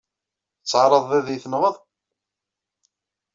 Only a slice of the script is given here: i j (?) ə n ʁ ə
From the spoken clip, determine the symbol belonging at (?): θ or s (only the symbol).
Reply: θ